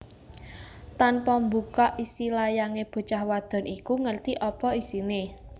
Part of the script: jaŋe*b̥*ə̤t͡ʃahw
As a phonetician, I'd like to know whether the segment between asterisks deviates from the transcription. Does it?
no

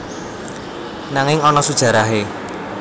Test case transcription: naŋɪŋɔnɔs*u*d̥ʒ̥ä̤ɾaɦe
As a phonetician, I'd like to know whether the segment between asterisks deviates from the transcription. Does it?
no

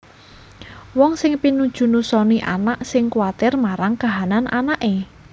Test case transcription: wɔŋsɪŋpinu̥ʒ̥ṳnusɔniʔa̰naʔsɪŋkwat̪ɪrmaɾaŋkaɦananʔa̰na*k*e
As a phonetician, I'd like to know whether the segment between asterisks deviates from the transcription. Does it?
yes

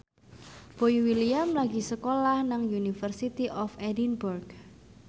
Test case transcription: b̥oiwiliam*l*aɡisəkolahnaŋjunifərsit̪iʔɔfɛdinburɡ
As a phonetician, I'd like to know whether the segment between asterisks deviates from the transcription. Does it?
no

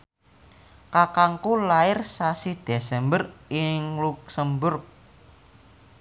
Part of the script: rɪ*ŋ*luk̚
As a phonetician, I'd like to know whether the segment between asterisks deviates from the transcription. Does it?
no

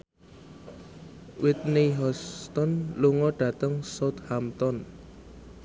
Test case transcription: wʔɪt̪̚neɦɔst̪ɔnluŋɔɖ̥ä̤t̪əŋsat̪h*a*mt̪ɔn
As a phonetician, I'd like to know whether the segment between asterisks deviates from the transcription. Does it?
no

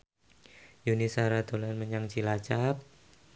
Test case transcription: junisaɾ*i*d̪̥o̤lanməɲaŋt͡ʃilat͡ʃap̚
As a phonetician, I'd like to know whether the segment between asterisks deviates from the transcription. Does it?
yes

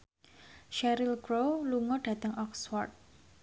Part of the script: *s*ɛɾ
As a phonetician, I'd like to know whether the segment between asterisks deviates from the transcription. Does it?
yes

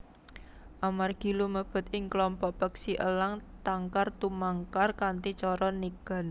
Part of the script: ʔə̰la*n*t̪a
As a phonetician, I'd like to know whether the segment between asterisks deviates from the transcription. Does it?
yes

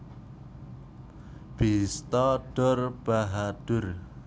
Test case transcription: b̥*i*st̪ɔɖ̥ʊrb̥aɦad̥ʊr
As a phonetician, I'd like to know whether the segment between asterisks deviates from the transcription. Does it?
no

